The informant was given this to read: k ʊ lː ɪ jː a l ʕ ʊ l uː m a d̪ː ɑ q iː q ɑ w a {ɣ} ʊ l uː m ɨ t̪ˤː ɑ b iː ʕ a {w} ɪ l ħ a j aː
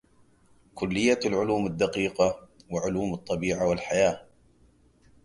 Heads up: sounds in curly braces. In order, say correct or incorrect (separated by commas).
incorrect, correct